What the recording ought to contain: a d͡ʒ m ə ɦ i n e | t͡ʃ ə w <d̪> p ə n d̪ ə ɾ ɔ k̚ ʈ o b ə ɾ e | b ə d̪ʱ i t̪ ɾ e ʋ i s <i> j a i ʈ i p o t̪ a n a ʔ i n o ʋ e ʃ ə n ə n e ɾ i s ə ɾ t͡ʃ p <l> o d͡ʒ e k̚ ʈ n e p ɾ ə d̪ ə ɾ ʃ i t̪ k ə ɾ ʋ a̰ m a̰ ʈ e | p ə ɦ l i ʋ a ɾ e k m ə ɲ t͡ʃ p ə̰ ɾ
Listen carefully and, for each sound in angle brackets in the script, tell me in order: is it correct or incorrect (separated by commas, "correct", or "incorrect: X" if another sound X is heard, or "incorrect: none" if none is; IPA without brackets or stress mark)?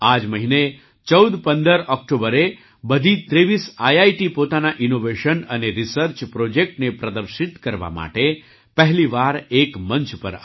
correct, incorrect: a, incorrect: ɾ